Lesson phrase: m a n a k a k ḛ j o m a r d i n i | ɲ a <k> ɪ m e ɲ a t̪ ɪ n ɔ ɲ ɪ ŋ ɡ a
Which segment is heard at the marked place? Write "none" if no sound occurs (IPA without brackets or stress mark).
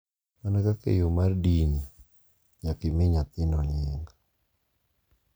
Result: k